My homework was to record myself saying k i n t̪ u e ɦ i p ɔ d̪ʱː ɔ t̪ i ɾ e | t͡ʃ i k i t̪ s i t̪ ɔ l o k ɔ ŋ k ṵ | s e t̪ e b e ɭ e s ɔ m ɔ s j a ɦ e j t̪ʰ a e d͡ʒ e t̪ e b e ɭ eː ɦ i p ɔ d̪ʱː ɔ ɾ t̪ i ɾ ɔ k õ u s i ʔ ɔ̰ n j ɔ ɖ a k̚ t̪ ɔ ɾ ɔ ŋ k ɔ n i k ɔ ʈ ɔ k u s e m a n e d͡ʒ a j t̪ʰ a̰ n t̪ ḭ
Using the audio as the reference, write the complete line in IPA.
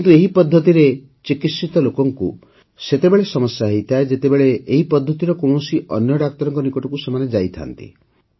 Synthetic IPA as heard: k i n t̪ u e ɦ i p ɔ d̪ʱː ɔ t̪ i ɾ e | t͡ʃ i k i t̪ s i t̪ ɔ l o k ɔ ŋ k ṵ | s e t̪ e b e ɭ e s ɔ m ɔ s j a ɦ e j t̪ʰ a e d͡ʒ e t̪ e b e ɭ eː ɦ i p ɔ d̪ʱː ɔ t̪ i ɾ ɔ k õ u s i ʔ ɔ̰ n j ɔ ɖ a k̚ t̪ ɔ ɾ ɔ ŋ k ɔ n i k ɔ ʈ ɔ k u s e m a n e d͡ʒ a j t̪ʰ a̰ n t̪ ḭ